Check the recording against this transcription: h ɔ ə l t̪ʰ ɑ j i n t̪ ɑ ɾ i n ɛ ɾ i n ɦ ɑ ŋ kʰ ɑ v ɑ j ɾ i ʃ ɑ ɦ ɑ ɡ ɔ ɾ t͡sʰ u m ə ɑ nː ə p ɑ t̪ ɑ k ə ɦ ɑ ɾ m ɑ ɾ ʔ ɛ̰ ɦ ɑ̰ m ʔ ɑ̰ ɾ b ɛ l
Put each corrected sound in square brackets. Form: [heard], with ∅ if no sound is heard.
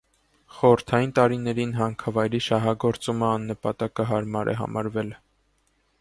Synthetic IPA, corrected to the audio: [χ] ɔ ə [ɾ] t̪ʰ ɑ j i n t̪ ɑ ɾ i n ɛ ɾ i n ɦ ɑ ŋ kʰ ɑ v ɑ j ɾ i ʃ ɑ ɦ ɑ ɡ ɔ ɾ [t͡s] u m ə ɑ nː ə p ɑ t̪ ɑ k ə ɦ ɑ ɾ m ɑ ɾ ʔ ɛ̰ ɦ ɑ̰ m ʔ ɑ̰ ɾ [v] ɛ l